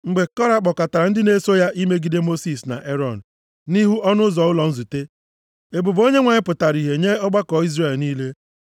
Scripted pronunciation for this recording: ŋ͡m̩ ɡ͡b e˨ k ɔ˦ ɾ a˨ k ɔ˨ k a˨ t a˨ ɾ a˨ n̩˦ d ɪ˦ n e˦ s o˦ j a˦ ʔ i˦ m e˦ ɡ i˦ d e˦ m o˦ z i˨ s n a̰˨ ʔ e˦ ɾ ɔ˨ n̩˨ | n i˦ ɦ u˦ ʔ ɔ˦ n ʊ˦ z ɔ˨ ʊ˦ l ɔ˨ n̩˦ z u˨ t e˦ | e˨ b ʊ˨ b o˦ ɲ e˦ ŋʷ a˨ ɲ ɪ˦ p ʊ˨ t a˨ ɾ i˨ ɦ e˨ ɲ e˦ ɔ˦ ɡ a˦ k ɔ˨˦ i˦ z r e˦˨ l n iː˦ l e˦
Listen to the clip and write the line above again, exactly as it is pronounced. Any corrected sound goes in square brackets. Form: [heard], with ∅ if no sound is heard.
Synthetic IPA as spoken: ŋ͡m̩ ɡ͡b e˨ k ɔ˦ ɾ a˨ [k͡p] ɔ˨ k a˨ t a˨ ɾ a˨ n̩˦ d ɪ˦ n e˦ s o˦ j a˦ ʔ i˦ m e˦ ɡ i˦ d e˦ m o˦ [s] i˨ s n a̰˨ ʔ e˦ ɾ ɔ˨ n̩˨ | n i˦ ɦ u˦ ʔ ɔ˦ n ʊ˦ z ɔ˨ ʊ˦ l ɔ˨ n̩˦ z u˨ t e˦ | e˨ b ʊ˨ b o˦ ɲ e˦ ŋʷ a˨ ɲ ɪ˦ p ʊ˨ t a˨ ɾ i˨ ɦ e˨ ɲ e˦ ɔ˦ [ɡ͡b] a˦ k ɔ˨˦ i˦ z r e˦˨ l n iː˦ l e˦